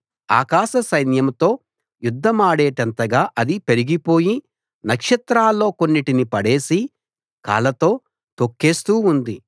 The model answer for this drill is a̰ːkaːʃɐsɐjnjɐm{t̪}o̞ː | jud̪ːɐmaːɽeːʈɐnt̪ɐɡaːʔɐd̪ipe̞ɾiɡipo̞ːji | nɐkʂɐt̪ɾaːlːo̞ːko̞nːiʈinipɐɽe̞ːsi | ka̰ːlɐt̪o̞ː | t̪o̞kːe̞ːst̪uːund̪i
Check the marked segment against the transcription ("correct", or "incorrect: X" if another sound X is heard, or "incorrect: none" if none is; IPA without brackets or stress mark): correct